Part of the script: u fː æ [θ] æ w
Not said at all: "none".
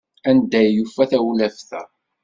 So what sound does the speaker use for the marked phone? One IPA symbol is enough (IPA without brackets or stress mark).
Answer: θ